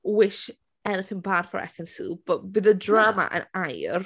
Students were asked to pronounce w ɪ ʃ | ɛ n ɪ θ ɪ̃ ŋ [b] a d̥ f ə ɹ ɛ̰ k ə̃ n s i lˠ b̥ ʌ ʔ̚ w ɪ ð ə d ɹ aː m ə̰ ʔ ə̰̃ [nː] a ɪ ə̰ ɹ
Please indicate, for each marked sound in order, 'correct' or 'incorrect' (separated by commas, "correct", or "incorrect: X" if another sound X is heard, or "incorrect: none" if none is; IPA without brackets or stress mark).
correct, incorrect: n